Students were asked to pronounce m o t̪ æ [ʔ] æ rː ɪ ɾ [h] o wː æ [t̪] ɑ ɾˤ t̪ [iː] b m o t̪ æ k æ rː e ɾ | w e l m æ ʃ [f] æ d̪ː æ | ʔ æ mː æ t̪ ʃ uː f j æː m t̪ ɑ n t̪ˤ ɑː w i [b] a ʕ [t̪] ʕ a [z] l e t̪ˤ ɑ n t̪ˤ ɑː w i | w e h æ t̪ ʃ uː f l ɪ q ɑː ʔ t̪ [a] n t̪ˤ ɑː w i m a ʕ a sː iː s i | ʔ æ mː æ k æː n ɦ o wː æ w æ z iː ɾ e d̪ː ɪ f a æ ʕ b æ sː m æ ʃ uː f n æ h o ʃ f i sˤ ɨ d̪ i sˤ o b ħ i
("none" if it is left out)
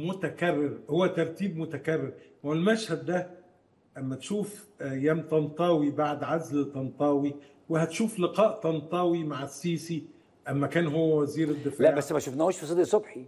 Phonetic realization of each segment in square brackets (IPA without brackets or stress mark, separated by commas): k, h, t̪, iː, h, b, d̪, z, ɑ